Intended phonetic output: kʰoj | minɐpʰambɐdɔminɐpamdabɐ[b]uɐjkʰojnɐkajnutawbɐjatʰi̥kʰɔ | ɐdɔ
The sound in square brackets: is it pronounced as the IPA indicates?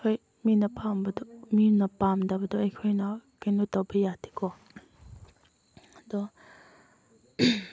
no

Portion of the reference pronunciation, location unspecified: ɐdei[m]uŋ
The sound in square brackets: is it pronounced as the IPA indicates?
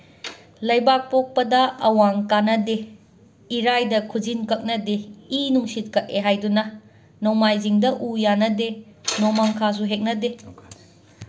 no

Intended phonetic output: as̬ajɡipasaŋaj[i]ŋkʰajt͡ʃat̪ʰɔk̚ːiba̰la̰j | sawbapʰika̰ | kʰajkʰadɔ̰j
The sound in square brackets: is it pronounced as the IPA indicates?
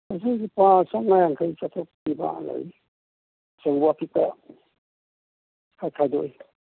no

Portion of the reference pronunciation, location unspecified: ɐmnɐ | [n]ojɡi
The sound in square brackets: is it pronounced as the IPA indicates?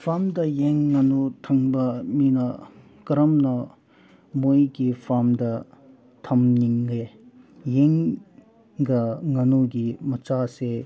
no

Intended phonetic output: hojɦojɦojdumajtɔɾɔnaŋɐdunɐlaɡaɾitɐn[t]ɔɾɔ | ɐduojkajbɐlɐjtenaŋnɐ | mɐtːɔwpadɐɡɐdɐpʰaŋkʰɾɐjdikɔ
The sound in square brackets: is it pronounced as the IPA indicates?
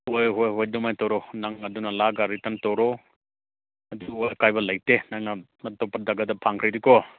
yes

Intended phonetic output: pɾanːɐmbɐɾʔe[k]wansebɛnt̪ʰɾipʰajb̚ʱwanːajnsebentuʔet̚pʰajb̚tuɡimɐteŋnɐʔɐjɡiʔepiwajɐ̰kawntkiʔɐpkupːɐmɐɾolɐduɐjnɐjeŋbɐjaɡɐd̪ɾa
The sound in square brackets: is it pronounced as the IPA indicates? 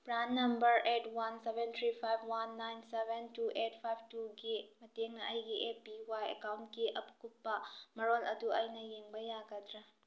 no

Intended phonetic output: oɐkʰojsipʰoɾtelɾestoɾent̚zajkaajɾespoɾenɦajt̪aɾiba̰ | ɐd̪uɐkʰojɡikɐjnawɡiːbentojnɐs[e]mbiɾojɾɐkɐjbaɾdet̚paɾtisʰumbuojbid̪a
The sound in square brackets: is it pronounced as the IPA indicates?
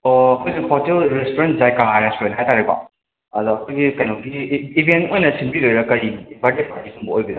no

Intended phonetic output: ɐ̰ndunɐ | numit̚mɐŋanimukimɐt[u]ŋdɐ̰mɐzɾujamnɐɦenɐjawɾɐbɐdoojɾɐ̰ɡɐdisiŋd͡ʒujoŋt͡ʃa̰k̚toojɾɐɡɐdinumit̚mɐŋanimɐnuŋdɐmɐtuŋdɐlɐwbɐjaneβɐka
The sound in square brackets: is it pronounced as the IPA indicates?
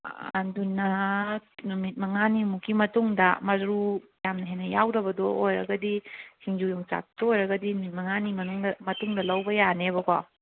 yes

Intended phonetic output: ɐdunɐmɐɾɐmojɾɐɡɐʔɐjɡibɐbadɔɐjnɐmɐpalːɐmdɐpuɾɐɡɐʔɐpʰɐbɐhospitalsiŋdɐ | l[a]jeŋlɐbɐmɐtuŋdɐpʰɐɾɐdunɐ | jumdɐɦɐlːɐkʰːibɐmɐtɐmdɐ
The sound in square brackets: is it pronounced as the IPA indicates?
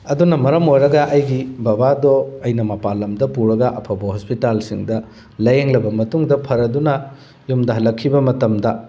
no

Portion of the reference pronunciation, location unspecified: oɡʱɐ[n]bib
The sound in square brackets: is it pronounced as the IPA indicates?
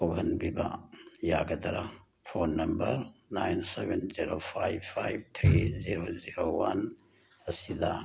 yes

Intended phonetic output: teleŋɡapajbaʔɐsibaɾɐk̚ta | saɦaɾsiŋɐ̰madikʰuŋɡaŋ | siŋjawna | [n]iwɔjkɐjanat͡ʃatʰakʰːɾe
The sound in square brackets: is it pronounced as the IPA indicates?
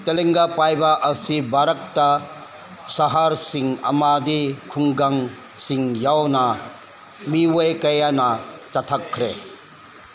no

